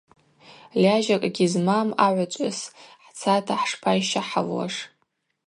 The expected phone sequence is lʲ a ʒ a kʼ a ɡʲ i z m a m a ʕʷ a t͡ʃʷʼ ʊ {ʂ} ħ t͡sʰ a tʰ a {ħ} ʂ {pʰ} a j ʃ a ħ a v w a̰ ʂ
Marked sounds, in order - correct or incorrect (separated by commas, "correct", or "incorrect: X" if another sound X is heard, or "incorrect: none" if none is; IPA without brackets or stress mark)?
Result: incorrect: s, correct, correct